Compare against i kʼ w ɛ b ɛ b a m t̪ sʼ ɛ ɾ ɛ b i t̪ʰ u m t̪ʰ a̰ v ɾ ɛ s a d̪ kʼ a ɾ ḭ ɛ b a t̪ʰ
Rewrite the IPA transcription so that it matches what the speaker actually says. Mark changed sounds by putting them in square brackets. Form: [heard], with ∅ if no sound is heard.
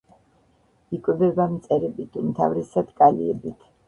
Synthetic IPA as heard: i kʼ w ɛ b ɛ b a m t̪ sʼ ɛ ɾ ɛ b i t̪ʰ u m t̪ʰ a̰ v ɾ ɛ s a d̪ kʼ a [l] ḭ ɛ b [i] t̪ʰ